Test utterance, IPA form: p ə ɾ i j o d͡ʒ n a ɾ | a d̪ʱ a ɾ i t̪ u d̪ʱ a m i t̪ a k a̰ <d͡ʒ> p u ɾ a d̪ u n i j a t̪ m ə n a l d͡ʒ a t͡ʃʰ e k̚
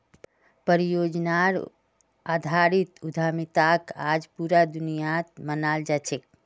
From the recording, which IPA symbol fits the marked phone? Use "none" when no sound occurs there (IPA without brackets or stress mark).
d͡ʒ